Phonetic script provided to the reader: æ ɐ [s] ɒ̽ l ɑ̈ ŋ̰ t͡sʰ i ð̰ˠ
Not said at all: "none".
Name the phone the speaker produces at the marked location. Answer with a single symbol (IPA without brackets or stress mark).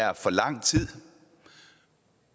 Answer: f